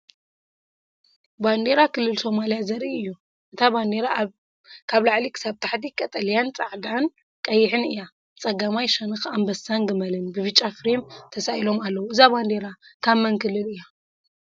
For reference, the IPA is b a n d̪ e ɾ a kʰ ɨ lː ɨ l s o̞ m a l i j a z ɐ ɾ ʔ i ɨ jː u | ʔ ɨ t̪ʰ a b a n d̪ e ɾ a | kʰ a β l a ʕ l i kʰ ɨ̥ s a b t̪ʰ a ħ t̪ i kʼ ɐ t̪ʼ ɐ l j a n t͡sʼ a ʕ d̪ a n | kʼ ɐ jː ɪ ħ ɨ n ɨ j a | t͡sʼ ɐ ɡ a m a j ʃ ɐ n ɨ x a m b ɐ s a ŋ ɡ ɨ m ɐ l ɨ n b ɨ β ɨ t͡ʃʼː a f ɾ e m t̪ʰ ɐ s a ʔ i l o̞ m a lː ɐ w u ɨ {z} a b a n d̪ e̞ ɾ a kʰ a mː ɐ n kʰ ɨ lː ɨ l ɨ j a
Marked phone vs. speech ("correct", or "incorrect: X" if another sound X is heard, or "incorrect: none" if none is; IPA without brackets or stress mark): correct